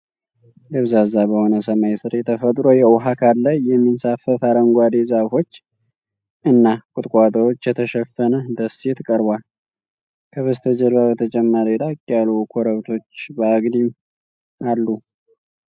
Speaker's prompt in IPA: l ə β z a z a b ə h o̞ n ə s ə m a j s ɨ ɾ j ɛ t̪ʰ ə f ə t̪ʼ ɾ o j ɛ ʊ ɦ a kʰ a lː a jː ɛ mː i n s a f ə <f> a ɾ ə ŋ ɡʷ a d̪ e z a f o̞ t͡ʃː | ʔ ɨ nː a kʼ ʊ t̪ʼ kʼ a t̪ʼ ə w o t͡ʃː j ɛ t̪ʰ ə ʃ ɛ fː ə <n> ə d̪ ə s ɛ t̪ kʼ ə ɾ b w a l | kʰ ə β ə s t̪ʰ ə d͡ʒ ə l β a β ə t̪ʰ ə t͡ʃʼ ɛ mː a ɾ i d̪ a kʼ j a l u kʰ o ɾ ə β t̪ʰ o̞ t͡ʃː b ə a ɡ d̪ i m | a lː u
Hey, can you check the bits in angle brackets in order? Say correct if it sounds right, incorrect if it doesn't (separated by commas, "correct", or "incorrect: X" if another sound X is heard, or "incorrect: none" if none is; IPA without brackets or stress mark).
correct, correct